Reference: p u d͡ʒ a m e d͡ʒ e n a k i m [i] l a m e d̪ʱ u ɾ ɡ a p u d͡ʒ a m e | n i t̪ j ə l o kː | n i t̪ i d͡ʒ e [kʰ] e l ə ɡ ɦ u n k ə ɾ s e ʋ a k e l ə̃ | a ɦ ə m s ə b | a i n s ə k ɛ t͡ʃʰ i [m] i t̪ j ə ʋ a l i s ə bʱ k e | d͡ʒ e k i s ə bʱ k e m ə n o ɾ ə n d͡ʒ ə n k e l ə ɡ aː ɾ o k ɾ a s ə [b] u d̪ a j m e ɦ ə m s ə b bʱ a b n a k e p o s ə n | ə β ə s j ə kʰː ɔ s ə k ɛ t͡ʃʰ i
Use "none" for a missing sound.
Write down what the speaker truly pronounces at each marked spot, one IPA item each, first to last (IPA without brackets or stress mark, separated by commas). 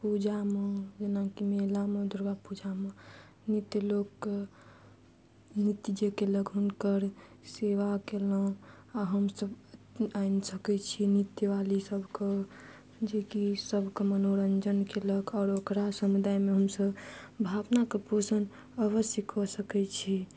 e, k, n, m